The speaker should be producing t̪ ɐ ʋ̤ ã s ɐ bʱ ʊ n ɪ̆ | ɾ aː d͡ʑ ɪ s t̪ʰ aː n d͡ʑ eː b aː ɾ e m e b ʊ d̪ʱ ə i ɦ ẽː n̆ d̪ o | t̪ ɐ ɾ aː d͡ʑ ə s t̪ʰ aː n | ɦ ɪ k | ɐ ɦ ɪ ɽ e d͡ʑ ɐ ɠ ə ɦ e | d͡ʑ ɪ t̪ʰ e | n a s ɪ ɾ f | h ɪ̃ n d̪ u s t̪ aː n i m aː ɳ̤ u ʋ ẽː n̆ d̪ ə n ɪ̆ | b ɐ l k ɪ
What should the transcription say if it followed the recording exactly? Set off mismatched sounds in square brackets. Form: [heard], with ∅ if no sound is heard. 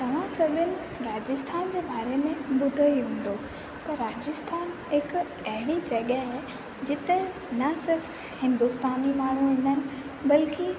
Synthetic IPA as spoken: t̪ ɐ ʋ̤ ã s ɐ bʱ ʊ n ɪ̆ | ɾ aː d͡ʑ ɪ s t̪ʰ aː n d͡ʑ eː b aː ɾ e m [ẽ] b ʊ d̪ʱ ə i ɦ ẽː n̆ d̪ o | t̪ ɐ ɾ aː d͡ʑ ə s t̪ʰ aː n | ɦ ɪ k | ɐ ɦ ɪ ɽ [i] d͡ʑ ɐ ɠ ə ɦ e | d͡ʑ ɪ [t̪] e | n [ɐ] s ɪ ɾ f | h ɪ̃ n d̪ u s t̪ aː n i m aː ɳ̤ u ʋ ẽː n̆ d̪ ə n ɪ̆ | b ɐ l k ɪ